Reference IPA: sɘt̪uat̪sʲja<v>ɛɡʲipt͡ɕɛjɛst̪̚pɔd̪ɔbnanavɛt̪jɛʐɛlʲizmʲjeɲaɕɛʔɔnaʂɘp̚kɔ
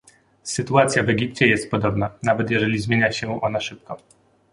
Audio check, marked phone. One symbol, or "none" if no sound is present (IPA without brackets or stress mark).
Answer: v